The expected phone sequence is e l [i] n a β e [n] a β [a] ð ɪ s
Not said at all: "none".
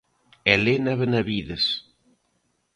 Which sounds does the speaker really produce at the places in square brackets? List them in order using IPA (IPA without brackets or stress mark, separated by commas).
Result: e, n, i